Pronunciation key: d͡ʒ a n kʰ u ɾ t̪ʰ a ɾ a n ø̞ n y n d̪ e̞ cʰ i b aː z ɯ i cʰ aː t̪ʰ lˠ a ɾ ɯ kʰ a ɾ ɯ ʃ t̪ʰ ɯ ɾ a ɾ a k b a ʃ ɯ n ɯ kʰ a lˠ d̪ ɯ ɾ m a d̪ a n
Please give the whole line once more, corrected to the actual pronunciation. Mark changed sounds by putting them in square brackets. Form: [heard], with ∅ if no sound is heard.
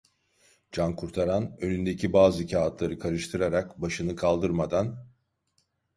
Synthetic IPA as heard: d͡ʒ a n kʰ u ɾ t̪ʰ a ɾ a n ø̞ n y n d̪ e̞ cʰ i b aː z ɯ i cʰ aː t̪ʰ lˠ a ɾ ɯ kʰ a ɾ ɯ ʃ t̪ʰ ɯ ɾ a ɾ a k b a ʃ ɯ n ɯ kʰ a lˠ d̪ ɯ ɾ m a d̪ a n